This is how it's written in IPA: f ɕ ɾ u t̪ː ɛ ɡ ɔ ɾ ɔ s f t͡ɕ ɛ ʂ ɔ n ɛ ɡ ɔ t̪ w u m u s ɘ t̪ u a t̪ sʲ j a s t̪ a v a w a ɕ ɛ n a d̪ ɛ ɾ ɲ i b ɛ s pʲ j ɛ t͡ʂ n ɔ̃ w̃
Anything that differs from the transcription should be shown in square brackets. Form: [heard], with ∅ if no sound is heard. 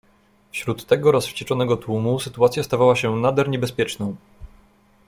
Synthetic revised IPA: f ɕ ɾ u t̪ː ɛ ɡ ɔ ɾ ɔ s f t͡ɕ ɛ [t͡ʂ] ɔ n ɛ ɡ ɔ t̪ w u m u s ɘ t̪ u a t̪ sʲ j a s t̪ a v a w a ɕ ɛ n a d̪ ɛ ɾ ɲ [ɛ] b ɛ s pʲ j ɛ t͡ʂ n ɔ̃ w̃